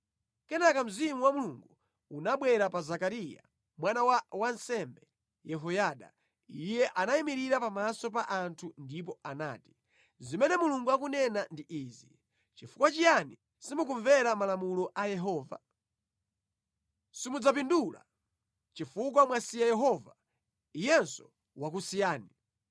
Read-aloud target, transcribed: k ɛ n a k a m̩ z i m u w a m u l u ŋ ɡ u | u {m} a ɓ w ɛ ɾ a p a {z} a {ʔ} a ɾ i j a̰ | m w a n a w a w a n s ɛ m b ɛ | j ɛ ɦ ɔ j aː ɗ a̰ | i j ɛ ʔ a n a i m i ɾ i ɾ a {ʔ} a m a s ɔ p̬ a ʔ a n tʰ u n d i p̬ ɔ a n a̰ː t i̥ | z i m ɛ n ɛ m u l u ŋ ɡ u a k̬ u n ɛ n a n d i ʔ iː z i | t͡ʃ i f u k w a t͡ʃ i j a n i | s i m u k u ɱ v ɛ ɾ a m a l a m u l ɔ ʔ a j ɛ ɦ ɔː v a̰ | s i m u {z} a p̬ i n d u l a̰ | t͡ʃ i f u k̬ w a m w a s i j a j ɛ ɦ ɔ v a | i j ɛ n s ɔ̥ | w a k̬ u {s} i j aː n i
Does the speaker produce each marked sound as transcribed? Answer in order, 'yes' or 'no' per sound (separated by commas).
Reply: no, yes, no, no, no, yes